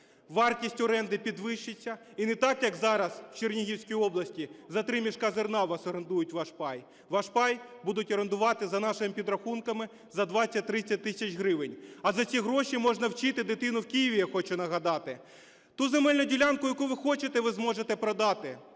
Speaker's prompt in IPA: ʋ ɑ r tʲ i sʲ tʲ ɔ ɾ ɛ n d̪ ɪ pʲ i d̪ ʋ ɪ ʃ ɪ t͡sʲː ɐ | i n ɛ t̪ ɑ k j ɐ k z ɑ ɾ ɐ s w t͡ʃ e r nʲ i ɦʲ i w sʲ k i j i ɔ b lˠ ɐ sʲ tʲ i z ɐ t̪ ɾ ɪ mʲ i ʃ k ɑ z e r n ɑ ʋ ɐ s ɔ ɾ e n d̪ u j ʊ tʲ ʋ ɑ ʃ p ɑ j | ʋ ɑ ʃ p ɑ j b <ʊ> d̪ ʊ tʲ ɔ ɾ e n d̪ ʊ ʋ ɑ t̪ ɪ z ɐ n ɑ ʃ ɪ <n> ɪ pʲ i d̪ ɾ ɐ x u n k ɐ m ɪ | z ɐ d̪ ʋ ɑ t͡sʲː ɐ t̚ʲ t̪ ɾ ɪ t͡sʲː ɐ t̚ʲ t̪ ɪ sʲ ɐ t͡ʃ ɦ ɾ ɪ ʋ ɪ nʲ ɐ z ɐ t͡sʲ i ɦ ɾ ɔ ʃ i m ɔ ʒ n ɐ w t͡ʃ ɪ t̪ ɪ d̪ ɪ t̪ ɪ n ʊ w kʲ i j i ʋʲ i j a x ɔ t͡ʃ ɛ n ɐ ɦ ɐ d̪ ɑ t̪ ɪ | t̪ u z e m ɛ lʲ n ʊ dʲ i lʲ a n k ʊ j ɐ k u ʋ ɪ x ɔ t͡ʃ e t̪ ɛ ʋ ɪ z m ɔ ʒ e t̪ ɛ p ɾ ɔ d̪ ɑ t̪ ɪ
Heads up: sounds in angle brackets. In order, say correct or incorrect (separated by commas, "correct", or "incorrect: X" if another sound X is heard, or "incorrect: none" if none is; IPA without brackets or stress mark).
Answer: incorrect: u, incorrect: m